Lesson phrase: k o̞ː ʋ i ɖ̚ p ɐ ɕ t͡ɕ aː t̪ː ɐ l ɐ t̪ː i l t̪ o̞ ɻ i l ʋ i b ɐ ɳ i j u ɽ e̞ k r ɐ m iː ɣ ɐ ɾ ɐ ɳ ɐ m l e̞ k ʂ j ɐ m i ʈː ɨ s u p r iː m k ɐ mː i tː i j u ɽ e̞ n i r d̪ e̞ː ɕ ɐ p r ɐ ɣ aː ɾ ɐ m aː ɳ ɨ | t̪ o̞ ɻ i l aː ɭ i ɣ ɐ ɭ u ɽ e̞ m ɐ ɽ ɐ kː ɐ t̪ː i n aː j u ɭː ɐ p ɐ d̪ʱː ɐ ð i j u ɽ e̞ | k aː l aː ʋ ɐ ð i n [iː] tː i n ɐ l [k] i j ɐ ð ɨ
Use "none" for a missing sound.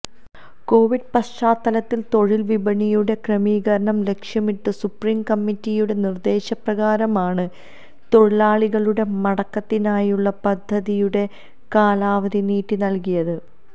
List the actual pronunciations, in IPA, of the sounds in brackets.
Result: iː, k

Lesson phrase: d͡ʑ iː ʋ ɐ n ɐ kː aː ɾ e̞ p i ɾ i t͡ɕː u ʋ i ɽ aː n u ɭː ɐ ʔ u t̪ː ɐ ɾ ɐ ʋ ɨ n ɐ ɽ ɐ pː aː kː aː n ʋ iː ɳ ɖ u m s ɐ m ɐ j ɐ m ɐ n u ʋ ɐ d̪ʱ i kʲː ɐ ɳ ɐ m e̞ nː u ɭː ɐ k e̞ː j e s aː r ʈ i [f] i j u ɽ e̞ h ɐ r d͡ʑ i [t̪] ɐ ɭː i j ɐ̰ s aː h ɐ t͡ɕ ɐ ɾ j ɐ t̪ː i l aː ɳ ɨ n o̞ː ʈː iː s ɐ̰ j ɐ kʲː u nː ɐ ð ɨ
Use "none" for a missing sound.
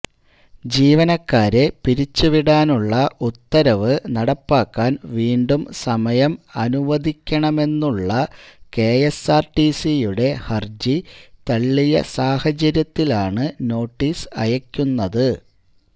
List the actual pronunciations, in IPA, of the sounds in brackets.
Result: s, t̪

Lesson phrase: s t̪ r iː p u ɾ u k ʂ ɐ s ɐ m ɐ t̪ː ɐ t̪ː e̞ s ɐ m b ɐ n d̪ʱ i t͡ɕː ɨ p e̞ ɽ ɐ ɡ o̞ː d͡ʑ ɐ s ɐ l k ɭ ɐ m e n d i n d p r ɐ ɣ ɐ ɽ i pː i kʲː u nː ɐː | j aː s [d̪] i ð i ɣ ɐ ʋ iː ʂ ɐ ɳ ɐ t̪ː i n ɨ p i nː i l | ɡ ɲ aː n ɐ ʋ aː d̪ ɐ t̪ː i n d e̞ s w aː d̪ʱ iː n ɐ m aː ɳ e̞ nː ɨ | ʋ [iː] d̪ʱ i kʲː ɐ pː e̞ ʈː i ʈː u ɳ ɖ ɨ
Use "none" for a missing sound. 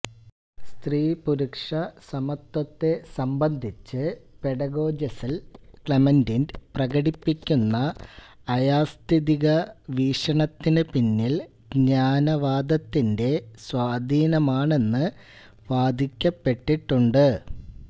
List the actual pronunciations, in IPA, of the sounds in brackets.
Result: t̪, aː

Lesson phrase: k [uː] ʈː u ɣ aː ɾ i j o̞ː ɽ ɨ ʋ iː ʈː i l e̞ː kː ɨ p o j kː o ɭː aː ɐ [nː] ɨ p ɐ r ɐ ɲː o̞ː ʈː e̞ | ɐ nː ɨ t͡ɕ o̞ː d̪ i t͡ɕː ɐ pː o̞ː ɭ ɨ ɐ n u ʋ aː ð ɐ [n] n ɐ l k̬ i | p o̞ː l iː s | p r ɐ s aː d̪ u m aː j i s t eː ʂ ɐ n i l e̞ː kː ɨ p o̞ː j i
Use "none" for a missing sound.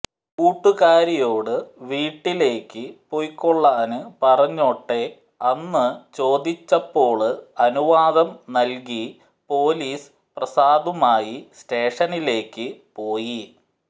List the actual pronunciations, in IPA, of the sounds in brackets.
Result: uː, n, m

